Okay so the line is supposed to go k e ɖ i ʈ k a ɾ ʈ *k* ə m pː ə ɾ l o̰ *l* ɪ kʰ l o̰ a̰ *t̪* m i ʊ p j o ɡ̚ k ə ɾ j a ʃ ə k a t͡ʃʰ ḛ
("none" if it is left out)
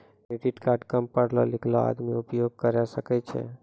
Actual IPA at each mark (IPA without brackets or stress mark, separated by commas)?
k, l, d̪